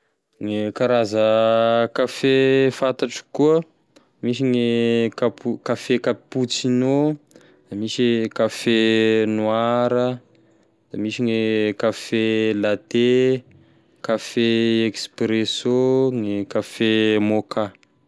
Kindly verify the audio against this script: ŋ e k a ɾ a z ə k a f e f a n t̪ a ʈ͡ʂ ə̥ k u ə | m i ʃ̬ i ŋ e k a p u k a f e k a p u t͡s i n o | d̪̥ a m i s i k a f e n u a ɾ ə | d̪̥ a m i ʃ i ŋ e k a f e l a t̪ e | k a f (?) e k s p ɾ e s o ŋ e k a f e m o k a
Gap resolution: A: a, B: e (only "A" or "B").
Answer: B